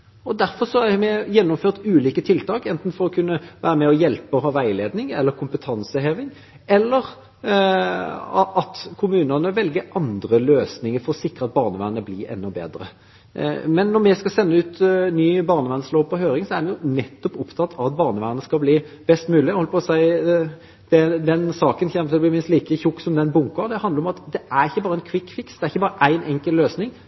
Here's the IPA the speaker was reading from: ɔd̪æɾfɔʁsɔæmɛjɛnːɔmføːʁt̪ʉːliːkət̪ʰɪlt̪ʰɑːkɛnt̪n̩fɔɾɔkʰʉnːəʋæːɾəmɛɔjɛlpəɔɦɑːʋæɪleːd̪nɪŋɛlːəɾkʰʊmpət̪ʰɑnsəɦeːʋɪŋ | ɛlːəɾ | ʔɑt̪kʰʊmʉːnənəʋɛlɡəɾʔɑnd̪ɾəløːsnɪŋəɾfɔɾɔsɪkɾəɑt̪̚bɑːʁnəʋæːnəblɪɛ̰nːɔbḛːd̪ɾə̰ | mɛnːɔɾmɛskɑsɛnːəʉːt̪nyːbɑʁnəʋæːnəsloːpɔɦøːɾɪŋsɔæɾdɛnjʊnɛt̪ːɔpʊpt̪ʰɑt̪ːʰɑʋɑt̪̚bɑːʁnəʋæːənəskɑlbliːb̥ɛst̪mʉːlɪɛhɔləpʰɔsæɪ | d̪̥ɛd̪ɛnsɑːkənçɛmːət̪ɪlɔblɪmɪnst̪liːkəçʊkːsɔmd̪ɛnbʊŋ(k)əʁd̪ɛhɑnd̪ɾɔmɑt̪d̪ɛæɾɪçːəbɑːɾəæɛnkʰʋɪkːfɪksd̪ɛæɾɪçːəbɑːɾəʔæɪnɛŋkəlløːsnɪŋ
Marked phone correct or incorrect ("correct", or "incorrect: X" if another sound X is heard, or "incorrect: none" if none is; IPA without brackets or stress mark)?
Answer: correct